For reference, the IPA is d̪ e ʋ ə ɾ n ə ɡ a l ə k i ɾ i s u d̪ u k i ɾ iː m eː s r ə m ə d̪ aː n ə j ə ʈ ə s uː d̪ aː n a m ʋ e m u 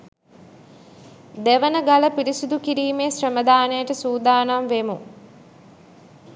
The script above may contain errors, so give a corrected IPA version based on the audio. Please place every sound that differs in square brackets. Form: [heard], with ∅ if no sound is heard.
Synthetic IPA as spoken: d̪ e ʋ ə [∅] n ə ɡ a l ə [p] i ɾ i s u d̪ u k i ɾ iː m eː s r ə m ə d̪ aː n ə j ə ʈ ə s uː d̪ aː n a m ʋ e m u